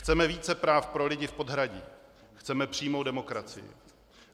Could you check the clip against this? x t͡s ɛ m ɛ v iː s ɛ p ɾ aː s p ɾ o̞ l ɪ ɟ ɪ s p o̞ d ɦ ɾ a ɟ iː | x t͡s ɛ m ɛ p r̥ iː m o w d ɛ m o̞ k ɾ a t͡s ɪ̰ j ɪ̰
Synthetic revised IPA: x t͡s ɛ m ɛ v iː t͡s ɛ p ɾ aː f p ɾ o̞ l ɪ ɟ ɪ f p o̞ d ɦ ɾ a ɟ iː | x t͡s ɛ m ɛ p r̥ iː m o w d ɛ m o̞ k ɾ a t͡s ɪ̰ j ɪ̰